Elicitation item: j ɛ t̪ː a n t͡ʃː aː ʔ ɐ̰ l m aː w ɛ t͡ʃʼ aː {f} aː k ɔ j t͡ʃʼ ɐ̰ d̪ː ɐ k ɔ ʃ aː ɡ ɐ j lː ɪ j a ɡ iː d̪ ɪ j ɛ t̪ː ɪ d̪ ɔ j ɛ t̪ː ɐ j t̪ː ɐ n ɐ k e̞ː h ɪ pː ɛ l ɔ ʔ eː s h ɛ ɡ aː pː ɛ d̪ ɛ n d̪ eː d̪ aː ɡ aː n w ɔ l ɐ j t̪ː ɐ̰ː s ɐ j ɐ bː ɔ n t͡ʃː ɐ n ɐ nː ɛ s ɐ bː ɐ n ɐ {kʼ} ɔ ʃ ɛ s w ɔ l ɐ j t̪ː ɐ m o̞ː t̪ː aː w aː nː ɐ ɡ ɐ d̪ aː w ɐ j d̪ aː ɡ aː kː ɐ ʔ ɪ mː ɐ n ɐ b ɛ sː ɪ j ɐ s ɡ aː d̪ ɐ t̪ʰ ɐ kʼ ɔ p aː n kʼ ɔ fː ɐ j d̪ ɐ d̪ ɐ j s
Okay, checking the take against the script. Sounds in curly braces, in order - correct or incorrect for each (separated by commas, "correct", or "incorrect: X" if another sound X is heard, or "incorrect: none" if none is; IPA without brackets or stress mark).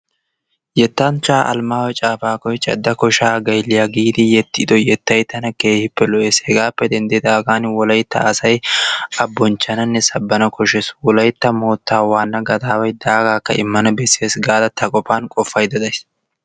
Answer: correct, incorrect: k